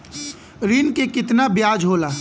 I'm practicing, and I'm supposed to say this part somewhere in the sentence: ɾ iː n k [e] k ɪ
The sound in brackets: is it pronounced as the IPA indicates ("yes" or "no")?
yes